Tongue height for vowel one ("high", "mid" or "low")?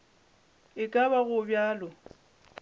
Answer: high